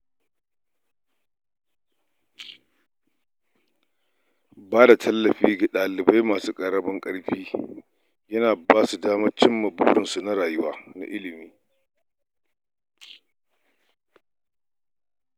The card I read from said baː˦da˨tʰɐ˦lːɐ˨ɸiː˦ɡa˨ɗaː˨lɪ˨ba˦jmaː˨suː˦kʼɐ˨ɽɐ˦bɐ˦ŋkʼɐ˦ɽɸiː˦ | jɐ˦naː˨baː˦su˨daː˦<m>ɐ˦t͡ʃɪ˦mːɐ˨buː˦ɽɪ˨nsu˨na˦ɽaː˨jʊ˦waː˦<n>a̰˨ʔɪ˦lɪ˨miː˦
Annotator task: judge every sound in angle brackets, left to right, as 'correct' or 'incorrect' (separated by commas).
correct, correct